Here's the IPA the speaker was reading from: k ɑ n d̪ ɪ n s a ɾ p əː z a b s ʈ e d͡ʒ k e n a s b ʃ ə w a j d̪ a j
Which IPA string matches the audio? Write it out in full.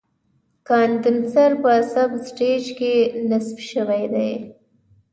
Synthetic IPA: k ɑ n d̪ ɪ n s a ɾ p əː s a b s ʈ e d͡ʒ k e n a s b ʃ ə w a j d̪ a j